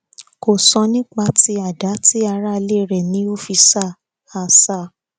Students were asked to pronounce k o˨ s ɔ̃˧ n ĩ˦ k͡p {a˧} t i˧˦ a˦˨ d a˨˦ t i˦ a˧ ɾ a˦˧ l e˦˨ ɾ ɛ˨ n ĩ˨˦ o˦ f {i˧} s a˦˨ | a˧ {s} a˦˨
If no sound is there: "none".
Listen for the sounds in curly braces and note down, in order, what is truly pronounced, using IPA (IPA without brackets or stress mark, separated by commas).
a˧, i˧, s